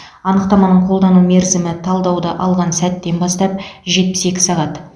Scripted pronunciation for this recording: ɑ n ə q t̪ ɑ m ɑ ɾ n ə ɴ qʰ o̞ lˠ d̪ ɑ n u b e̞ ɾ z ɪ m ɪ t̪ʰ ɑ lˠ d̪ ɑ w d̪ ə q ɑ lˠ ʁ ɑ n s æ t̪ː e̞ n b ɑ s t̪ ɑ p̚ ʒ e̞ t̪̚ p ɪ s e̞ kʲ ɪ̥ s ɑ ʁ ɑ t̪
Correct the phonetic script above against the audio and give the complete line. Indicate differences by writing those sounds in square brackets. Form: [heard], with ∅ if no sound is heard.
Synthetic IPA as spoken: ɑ n ə q t̪ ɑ m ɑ [∅] n ə ɴ qʰ o̞ lˠ d̪ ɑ n u [m] e̞ ɾ z ɪ m ɪ t̪ʰ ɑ lˠ d̪ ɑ w d̪ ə [ʔ] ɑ lˠ ʁ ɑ n s æ t̪ː e̞ n b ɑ s t̪ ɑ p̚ ʒ e̞ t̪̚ p ɪ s e̞ kʲ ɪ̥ s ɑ ʁ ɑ t̪